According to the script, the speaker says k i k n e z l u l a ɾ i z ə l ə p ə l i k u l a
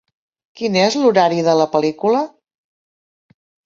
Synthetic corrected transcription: k i n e z l u ɾ a ɾ i ð ə l ə p ə l i k u l ə